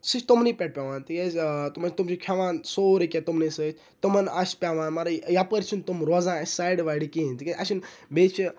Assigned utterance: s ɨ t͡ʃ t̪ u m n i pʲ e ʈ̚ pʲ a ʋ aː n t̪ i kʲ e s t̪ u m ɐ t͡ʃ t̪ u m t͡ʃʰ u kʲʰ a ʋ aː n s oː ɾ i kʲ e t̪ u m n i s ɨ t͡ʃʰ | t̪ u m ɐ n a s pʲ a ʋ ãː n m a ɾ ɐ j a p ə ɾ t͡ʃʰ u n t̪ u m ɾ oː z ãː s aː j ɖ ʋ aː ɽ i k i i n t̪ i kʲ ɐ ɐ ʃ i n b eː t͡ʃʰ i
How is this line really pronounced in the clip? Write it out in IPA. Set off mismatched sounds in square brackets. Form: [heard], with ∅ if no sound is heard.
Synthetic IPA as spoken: s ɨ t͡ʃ t̪ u m n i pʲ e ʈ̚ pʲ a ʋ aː n t̪ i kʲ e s t̪ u m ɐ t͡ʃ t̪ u m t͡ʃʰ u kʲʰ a ʋ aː n s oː ɾ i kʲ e t̪ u m n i s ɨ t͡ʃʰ | t̪ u m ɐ n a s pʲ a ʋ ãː n m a ɾ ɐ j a p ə ɾ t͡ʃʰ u n t̪ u m ɾ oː z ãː s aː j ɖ ʋ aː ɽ i k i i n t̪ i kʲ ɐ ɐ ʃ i n b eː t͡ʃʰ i

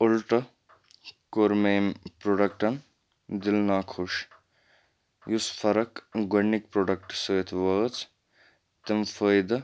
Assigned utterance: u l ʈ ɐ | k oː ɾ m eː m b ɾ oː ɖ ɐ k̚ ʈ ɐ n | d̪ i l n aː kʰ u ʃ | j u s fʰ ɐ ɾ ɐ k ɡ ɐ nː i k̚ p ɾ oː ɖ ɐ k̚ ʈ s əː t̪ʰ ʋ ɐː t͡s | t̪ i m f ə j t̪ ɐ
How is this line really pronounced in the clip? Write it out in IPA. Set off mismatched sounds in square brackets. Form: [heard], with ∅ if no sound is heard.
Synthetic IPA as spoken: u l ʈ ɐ | k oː ɾ m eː m [p] ɾ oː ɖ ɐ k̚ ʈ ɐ n | d̪ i l n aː kʰ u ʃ | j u s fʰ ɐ ɾ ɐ k ɡ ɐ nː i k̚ p ɾ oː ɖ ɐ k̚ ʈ s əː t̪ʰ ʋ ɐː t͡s | t̪ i m f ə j [d̪] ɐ

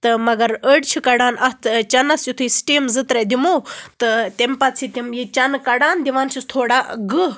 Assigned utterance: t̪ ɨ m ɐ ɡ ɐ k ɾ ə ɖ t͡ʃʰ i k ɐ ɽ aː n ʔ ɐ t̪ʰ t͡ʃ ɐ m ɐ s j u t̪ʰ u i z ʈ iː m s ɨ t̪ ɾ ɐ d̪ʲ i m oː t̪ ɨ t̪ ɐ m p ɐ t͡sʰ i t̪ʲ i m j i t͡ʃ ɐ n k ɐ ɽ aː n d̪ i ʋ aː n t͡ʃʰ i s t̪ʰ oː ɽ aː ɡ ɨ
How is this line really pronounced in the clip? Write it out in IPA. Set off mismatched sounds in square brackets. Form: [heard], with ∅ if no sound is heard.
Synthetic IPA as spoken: t̪ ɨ m ɐ ɡ ɐ [∅] ɾ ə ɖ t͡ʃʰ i k ɐ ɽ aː n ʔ ɐ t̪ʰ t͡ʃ ɐ [n] ɐ s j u t̪ʰ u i [s] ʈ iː m [z] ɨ t̪ ɾ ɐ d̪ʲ i m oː t̪ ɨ t̪ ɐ m p ɐ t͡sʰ i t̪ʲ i m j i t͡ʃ ɐ n k ɐ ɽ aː n d̪ i ʋ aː n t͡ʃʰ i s t̪ʰ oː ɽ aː ɡ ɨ

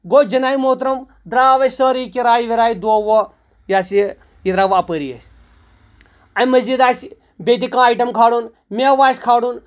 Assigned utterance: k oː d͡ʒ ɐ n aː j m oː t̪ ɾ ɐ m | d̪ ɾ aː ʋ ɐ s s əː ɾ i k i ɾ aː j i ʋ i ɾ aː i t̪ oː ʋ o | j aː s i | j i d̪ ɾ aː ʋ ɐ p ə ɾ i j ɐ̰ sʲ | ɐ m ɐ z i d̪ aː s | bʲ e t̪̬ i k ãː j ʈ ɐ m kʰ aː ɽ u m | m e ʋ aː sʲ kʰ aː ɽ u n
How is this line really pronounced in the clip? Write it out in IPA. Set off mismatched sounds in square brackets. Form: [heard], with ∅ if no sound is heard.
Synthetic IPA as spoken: [ɡ] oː d͡ʒ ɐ n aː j m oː t̪ ɾ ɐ m | d̪ ɾ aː ʋ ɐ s s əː ɾ i k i ɾ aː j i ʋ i ɾ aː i [d̪] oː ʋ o | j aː s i | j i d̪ ɾ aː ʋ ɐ p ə ɾ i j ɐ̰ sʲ | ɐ m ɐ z i d̪ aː s | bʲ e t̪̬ i k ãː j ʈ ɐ m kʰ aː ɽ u [n] | m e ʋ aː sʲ kʰ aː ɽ u n

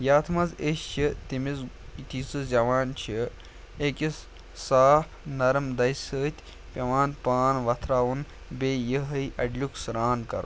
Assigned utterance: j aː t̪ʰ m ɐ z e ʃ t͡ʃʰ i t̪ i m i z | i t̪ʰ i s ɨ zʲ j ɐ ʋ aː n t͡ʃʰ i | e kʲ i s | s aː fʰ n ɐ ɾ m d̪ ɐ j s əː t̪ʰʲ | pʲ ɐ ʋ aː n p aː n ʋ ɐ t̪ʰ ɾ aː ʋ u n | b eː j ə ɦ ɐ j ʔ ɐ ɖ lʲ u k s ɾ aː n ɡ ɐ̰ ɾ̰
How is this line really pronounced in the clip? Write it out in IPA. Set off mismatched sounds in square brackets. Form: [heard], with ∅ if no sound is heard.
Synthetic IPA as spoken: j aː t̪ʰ m ɐ z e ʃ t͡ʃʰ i t̪ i m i z | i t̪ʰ i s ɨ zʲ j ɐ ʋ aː n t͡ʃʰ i | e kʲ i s | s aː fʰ n ɐ ɾ m d̪ ɐ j s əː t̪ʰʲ | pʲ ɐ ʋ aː n p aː n ʋ ɐ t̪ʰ ɾ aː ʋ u n | b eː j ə ɦ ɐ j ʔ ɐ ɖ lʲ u k s ɾ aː n [k] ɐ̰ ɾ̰

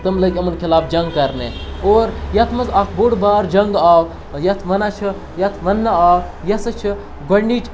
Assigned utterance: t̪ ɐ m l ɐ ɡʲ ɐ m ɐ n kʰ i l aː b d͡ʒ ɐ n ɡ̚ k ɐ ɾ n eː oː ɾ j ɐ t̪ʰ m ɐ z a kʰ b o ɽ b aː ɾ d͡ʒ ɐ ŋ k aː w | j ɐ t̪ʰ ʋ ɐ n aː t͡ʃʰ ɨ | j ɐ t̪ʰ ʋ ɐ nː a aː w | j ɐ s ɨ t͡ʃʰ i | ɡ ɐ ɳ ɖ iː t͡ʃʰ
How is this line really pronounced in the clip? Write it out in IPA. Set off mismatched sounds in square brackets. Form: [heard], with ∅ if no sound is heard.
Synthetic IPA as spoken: t̪ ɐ m l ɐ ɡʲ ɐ m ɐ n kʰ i l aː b d͡ʒ ɐ [ŋ] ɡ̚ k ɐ ɾ n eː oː ɾ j ɐ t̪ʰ m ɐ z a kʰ b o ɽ b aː ɾ d͡ʒ ɐ ŋ [ɡ] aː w | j ɐ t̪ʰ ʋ ɐ n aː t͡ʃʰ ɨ | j ɐ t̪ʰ ʋ ɐ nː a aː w | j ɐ s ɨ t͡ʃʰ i | ɡ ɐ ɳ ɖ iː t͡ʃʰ

